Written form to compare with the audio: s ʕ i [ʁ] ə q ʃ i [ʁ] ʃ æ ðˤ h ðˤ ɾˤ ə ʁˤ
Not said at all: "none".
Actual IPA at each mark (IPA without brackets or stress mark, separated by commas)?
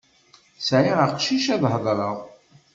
ʁ, none